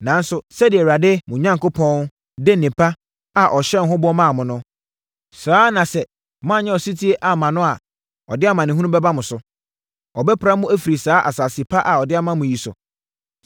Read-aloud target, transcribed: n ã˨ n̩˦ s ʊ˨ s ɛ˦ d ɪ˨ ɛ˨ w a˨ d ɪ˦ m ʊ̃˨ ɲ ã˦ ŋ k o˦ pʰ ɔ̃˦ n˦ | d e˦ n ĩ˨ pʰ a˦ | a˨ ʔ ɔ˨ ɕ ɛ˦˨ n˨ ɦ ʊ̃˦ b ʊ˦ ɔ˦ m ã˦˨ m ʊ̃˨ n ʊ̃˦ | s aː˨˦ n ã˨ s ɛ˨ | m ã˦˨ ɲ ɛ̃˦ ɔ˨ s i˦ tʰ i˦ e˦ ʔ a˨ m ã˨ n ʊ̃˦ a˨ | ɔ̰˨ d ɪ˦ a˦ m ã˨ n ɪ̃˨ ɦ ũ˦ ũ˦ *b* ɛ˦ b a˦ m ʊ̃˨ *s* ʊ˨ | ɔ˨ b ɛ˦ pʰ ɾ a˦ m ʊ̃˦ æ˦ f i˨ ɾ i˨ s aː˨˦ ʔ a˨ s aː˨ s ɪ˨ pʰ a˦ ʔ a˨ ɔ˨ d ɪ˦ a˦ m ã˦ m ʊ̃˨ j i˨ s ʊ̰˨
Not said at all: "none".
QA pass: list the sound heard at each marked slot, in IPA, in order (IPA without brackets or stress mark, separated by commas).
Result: b, s